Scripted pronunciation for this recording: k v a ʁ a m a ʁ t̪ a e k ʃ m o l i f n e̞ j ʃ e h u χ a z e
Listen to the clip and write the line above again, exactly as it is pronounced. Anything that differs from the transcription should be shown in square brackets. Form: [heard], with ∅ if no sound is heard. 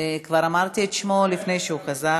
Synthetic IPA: k v a ʁ a m a ʁ t̪ [i] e [t] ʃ m o l i f n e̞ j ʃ e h u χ a z [a]